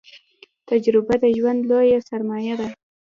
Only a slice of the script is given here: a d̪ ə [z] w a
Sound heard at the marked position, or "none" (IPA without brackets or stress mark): ʒ